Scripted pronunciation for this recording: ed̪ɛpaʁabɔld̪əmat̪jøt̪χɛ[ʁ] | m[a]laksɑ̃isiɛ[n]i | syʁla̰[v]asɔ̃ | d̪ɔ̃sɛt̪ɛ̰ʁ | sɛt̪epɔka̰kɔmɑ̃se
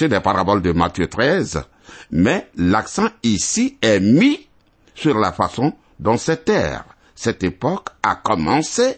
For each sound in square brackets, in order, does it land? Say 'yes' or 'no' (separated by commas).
no, no, no, no